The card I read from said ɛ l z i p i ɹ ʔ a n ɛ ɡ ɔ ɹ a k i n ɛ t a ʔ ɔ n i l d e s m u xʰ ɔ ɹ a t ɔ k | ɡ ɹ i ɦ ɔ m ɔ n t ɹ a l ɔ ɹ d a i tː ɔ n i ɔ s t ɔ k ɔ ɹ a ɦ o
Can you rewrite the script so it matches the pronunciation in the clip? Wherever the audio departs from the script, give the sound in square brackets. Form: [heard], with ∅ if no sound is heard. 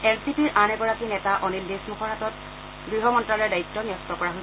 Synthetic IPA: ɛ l [s] i p i ɹ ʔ a n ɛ ɡ ɔ ɹ a k i n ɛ t a ʔ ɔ n i l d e s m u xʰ ɔ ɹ a t ɔ [t] | ɡ ɹ i ɦ ɔ m ɔ n t ɹ a l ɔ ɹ d a i tː ɔ n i ɔ s t ɔ k ɔ ɹ a ɦ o